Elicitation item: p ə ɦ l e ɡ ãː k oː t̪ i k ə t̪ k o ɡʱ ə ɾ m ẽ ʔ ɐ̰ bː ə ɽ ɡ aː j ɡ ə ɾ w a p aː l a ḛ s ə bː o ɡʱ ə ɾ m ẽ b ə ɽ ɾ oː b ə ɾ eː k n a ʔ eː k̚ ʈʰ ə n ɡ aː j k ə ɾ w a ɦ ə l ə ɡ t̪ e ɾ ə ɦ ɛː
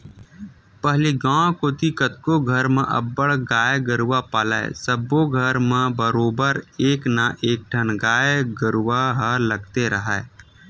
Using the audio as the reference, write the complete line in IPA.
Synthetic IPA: p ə ɦ l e ɡ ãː k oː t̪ i k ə t̪ k o ɡʱ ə ɾ m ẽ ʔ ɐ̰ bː ə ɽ ɡ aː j ɡ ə ɾ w a p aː l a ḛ s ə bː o ɡʱ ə ɾ m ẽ b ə ɾ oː b ə ɾ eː k n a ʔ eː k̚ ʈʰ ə n ɡ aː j ɡ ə ɾ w a ɦ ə l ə ɡ t̪ e ɾ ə ɦ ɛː